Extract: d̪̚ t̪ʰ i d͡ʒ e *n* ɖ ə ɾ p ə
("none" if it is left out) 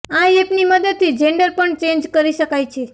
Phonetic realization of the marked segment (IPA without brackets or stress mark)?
ɳ